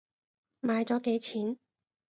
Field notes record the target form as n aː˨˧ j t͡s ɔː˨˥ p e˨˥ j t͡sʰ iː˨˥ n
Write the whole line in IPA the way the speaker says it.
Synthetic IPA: m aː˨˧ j t͡s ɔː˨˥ k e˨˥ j t͡sʰ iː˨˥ n